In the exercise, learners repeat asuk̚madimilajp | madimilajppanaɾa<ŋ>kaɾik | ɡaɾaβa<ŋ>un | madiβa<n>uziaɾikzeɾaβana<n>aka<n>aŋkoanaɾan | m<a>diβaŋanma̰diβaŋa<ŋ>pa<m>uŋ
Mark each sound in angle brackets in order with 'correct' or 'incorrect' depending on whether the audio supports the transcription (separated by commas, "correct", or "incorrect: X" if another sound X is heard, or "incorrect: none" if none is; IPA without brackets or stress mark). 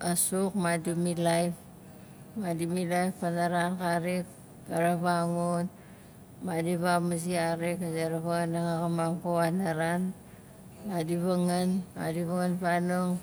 incorrect: n, correct, incorrect: m, incorrect: ŋ, incorrect: m, correct, incorrect: n, incorrect: n